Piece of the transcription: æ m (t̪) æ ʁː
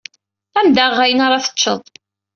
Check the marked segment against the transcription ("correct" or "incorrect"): incorrect